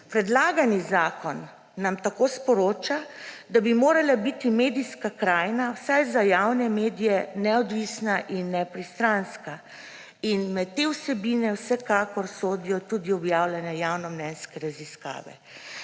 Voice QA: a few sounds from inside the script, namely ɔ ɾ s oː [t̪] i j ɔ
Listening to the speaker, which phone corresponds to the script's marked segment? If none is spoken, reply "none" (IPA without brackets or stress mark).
d̪